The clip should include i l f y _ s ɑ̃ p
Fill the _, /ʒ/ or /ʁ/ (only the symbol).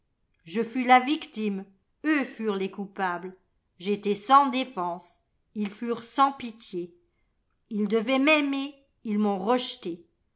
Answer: ʁ